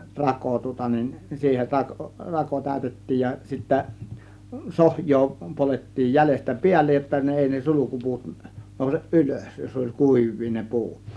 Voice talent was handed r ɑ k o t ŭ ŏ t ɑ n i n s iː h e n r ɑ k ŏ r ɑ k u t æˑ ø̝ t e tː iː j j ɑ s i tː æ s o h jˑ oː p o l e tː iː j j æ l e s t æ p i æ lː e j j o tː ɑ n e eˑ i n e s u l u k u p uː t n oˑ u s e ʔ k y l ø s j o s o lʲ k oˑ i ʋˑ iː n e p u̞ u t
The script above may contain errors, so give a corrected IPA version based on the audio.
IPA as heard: r ɑ k o t ŭ ŏ t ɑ n i n s iː h e n r ɑ k ŏ r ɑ k o t æˑ ø̝ t e tː iː j j ɑ s i tː æ s o h jˑ oː p o l e tː iː j j æ l e s t æ p i æ lː e j j o tː ɑ n e eˑ i n e s u l u k u p uː t n oˑ u s e ʔ ʔ y l ø s j o s o lʲ k uˑ i ʋˑ iː n e p u̞ u t